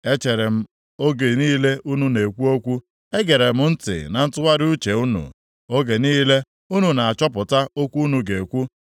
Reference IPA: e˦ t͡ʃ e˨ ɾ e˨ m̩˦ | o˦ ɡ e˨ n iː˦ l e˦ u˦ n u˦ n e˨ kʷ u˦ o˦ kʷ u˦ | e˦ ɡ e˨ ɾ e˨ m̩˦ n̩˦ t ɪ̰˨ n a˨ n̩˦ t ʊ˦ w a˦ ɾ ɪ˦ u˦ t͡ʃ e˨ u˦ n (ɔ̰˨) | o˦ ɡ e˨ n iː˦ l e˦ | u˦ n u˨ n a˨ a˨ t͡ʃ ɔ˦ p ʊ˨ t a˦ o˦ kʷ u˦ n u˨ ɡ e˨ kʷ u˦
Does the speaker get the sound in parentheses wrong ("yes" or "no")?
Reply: yes